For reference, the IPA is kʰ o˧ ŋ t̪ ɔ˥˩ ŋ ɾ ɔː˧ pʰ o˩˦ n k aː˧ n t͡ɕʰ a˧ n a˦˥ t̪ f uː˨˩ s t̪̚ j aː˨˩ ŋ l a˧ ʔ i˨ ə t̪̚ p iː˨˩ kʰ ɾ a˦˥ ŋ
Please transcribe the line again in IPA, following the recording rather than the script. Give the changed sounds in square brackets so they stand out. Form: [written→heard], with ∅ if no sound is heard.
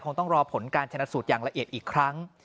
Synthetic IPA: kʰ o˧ ŋ t̪ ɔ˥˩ ŋ ɾ ɔː˧ pʰ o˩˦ n k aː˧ n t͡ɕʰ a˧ n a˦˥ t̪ [f→s] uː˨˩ [s→∅] t̪̚ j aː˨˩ ŋ l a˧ ʔ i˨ ə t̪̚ [p→ʔ] iː˨˩ kʰ ɾ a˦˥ ŋ